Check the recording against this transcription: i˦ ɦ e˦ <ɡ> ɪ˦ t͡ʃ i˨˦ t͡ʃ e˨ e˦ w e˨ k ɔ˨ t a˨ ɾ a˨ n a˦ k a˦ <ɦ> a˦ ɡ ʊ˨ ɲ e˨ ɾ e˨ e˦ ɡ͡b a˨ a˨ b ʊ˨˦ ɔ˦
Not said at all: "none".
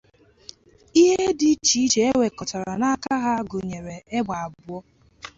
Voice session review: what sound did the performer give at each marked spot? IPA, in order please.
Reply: d, ɦ

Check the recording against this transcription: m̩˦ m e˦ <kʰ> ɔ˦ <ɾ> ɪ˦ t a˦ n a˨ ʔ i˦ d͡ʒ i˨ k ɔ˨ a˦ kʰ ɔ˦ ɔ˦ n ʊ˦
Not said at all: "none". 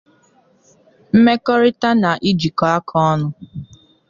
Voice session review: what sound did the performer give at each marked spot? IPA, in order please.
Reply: k, ɾ

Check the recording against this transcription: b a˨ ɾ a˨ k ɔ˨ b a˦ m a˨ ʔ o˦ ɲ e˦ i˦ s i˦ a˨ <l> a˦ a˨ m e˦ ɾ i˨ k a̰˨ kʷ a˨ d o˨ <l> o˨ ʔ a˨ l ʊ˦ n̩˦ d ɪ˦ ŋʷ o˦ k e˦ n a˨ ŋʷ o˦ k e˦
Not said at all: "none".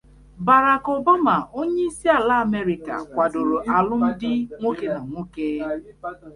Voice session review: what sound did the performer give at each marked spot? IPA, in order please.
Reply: l, ɾ

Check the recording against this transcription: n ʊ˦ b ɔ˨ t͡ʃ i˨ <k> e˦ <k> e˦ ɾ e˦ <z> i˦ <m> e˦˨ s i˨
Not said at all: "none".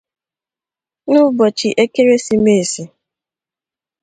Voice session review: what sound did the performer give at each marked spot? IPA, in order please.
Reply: ʔ, k, s, m

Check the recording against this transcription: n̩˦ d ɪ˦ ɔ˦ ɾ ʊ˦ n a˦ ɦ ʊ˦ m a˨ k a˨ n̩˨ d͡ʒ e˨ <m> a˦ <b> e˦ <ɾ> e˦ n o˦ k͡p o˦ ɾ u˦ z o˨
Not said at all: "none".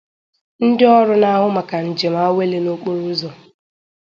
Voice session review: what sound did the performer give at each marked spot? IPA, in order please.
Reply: m, w, l

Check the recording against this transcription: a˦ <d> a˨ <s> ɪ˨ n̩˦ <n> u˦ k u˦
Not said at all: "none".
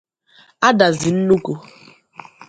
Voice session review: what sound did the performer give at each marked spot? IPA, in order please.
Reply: d, z, n

